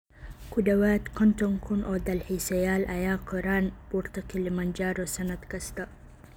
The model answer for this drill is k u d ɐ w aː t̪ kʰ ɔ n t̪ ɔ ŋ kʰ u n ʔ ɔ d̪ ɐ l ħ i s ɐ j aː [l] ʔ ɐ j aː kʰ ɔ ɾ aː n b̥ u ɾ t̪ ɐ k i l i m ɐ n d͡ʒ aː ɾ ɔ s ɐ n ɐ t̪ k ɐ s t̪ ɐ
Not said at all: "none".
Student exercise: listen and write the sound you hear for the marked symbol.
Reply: l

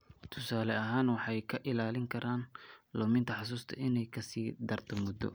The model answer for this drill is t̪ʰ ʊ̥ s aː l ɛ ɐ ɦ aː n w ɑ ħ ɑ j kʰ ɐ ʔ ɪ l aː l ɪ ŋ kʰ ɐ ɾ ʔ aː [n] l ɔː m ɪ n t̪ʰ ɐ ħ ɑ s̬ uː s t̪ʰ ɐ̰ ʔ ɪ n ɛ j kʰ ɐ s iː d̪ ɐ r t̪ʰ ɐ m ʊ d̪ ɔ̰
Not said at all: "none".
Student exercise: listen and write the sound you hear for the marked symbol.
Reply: n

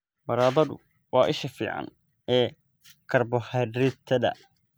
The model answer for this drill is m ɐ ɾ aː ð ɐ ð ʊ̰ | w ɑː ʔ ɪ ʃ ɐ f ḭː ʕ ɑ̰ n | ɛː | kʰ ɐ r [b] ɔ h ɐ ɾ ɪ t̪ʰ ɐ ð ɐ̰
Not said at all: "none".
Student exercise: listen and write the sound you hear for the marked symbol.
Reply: b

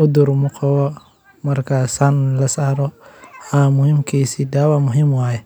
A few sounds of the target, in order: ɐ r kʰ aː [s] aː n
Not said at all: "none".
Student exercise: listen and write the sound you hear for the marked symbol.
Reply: s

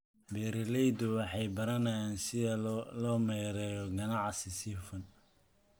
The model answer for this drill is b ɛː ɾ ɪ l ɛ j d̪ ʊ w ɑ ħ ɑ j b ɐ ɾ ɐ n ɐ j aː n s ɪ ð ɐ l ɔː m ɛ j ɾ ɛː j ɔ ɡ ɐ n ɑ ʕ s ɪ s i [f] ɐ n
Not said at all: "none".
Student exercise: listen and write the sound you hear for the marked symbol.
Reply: f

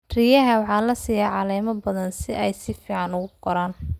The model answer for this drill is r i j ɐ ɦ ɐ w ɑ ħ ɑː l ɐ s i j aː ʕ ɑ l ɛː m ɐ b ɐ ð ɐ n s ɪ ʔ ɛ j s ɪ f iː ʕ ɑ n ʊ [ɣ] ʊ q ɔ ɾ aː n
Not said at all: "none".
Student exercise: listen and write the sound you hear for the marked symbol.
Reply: ɣ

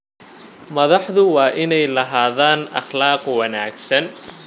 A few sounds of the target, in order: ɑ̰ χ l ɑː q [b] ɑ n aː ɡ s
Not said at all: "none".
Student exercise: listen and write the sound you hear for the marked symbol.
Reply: w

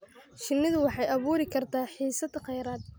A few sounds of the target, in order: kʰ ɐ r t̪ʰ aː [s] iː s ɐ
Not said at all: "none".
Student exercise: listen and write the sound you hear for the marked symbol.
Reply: ħ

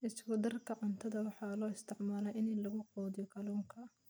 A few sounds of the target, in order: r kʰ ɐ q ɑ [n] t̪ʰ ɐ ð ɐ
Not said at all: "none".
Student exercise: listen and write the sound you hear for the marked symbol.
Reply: n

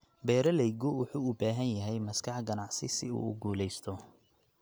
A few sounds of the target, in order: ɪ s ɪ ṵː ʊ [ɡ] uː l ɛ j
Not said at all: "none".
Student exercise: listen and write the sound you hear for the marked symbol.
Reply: ɡ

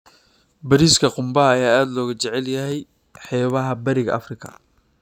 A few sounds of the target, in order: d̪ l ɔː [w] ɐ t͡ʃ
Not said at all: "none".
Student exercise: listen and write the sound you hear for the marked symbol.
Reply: ɣ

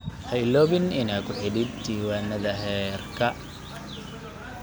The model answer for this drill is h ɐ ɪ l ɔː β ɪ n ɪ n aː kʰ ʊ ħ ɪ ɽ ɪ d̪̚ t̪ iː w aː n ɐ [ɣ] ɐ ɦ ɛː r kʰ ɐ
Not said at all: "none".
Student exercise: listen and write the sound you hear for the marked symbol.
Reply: ð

